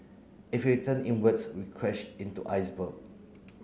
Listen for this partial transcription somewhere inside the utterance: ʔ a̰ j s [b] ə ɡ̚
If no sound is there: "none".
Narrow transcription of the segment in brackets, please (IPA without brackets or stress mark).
b